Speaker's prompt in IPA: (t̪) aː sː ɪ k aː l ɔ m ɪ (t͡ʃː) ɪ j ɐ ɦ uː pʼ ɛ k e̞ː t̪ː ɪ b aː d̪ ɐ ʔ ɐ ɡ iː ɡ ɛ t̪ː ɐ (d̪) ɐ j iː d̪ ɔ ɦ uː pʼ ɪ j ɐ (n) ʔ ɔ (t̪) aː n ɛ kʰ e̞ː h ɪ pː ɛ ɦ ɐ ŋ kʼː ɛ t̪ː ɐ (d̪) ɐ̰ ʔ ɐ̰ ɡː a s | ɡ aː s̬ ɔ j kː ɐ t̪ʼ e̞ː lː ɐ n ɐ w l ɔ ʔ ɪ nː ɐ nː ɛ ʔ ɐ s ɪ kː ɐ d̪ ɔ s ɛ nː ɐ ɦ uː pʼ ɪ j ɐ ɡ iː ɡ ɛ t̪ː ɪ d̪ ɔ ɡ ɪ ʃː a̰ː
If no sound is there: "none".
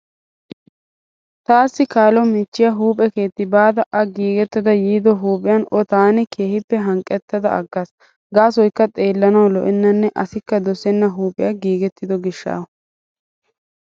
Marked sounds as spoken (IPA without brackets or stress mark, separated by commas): t̪, t͡ʃː, d̪, n, t̪, d̪